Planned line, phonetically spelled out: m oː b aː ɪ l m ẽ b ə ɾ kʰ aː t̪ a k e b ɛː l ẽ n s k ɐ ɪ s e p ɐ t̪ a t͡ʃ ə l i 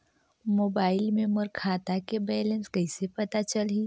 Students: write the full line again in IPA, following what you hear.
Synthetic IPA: m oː b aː ɪ l m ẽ m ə ɾ kʰ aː t̪ a k e b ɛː l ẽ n s k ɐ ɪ s e p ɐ t̪ a t͡ʃ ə l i

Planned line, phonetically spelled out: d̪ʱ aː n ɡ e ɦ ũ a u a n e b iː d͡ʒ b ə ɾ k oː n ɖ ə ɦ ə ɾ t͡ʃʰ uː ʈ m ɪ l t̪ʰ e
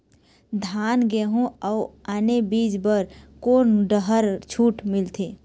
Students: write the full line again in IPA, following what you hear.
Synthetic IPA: d̪ʱ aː n ɡ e ɦ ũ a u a n e b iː d͡ʒ b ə ɾ k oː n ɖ ə ɦ ə ɾ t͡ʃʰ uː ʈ m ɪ l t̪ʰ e

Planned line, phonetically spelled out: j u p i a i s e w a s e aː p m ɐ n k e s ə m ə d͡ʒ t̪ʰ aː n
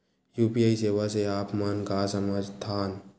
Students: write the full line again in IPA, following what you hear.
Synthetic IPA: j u p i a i s e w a s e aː p m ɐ n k a s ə m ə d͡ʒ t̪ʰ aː n

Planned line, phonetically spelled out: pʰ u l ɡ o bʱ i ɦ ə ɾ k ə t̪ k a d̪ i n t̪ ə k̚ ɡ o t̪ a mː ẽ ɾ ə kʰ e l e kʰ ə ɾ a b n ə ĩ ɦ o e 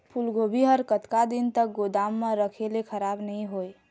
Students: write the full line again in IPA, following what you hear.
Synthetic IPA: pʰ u l ɡ o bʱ i ɦ ə ɾ k ə t̪ k a d̪ i n t̪ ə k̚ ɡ o d̪ a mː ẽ ɾ ə kʰ e l e kʰ ə ɾ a b n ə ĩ ɦ o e

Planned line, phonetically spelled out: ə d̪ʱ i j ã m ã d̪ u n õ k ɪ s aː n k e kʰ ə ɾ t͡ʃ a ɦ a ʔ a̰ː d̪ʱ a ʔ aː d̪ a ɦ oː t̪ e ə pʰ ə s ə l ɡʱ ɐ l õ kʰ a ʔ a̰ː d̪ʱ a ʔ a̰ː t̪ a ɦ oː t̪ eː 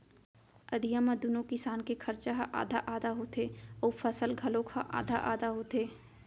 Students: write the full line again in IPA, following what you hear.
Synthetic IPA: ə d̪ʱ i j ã m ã d̪ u n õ k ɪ s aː n k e kʰ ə ɾ t͡ʃ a ɦ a ʔ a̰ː d̪ʱ a ʔ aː d̪ a ɦ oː t̪ e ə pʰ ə s ə l ɡʱ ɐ l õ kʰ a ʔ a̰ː d̪ʱ a ʔ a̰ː d̪ a ɦ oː t̪ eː

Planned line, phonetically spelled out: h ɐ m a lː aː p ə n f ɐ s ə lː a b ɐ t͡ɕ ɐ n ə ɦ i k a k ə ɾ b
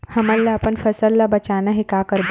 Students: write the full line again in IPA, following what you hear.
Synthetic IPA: h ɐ m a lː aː p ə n f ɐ s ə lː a b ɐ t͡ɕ a n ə ɦ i k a k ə ɾ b

